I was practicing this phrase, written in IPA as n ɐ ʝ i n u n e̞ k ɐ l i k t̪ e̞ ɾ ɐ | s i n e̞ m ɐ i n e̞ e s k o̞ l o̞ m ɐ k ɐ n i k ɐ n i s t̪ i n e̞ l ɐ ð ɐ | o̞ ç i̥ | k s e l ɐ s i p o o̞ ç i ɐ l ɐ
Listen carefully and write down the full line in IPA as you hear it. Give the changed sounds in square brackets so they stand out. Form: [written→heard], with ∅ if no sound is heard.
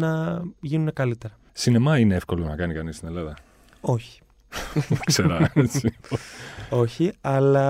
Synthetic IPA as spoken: n ɐ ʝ i n u n e̞ k ɐ l i [k→∅] t̪ e̞ ɾ ɐ | s i n e̞ m ɐ i n e̞ e [s→f] k o̞ l o̞ [m→n] ɐ k ɐ n i k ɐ n i s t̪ i n e̞ l ɐ ð ɐ | o̞ ç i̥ | k s e [l→ɾ] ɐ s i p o o̞ ç i ɐ l ɐ